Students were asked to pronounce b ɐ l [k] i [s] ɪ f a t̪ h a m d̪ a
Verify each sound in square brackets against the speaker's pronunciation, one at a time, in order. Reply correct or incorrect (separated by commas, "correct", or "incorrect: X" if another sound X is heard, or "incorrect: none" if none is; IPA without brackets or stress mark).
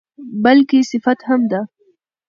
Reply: correct, correct